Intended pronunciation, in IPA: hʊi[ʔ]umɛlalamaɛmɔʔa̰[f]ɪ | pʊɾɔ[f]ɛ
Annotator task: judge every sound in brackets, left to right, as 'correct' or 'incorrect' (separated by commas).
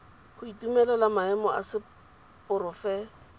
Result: incorrect, incorrect, correct